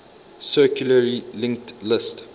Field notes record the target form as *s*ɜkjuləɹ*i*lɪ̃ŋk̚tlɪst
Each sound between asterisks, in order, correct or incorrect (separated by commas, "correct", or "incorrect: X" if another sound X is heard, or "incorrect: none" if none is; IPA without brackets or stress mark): correct, correct